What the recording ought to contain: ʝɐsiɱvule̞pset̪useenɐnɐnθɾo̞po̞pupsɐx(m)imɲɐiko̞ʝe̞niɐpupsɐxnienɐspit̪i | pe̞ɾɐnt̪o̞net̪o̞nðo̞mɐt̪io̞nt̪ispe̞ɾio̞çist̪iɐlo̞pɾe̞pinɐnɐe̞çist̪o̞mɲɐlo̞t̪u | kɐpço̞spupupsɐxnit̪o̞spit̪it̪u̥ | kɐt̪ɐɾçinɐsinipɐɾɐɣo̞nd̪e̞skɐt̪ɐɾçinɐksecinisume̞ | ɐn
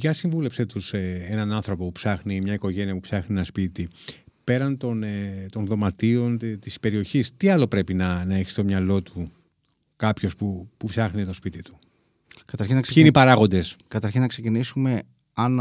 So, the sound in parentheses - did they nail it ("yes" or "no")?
no